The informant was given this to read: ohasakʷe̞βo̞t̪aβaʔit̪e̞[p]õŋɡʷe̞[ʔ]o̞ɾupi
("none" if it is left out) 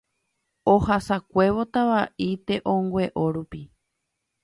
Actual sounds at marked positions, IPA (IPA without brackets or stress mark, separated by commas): ʔ, ʔ